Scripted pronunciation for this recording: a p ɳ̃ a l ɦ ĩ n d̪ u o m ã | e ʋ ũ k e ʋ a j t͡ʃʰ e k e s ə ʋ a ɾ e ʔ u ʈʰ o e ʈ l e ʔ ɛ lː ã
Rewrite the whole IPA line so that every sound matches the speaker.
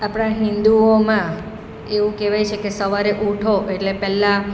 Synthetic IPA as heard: a p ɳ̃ a ɦ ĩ n d̪ u o m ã | e ʋ ũ k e ʋ a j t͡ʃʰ e k e s ə ʋ a ɾ e ʔ u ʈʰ o e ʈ l e p ɛ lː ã

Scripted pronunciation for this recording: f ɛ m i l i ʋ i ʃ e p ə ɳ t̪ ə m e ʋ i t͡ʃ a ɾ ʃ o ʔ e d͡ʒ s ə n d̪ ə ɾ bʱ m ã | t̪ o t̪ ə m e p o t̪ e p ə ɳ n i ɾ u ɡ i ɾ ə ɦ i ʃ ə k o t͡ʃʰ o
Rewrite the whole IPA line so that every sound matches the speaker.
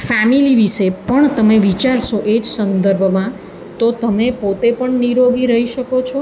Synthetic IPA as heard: f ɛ m i l i ʋ i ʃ e p ə ɳ t̪ ə m e ʋ i t͡ʃ a ɾ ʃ o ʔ e d͡ʒ s ə n d̪ ə ɾ bʱ m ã | t̪ o t̪ ə m e p o t̪ e p ə ɳ n i ɾ o ɡ i ɾ ə ɦ i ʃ ə k o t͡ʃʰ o

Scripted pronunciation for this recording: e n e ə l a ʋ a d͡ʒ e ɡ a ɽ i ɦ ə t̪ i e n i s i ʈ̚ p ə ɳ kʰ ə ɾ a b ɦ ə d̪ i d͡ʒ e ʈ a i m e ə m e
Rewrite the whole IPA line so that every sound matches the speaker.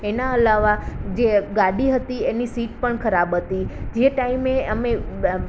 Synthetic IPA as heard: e n a ə l a ʋ a d͡ʒ e ɡ a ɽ i ɦ ə t̪ i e n i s i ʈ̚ p ə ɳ kʰ ə ɾ a b ɦ ə t̪ i d͡ʒ e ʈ a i m e ə m e

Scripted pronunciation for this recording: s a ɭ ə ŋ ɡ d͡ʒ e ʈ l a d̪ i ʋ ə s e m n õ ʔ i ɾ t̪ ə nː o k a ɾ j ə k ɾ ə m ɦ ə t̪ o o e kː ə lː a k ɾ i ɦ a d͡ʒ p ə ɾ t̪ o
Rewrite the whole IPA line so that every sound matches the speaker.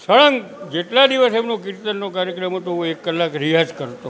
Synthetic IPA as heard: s ə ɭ ə ŋ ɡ d͡ʒ e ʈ l a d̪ i ʋ ə s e m n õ k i ɾ t̪ ə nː o k a ɾ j ə k ɾ ə m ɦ ə t̪ o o e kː ə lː a k ɾ i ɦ a d͡ʒ k ə ɾ t̪ o

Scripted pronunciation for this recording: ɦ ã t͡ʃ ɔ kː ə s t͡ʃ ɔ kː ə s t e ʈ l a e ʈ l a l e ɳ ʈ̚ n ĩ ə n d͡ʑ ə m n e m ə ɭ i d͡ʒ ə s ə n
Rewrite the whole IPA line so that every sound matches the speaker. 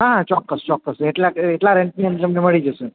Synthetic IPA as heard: ɦ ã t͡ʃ ɔ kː ə s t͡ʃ ɔ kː ə s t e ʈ l a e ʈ l a ɾ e ɳ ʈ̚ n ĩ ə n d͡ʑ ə m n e m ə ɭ i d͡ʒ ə s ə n

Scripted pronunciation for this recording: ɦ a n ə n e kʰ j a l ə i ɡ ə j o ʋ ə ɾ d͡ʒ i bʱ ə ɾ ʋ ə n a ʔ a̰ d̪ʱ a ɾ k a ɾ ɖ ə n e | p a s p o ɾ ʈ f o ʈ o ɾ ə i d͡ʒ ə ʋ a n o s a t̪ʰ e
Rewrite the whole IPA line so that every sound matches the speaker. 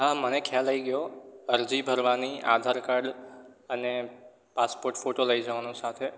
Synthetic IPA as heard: ɦ a m ə n e kʰ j a l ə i ɡ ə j o ə ɾ d͡ʒ i bʱ ə ɾ ʋ a n i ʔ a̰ d̪ʱ a ɾ k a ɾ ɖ ə n e | p a s p o ɾ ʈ f o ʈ o l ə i d͡ʒ ə ʋ a n o s a t̪ʰ e

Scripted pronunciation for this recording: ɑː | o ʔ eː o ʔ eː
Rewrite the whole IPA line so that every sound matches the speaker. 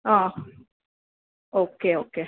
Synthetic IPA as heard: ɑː | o k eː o k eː

